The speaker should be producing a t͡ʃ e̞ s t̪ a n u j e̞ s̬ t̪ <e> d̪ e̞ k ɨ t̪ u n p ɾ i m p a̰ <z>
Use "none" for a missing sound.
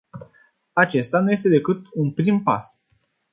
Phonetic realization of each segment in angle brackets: e, s

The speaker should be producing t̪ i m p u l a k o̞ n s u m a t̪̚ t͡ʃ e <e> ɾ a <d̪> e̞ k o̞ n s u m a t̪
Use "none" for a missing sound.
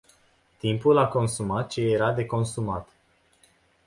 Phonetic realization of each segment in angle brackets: e, d̪

